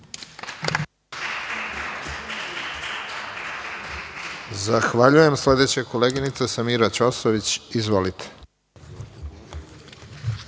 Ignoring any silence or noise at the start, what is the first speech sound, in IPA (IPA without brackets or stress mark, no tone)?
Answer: z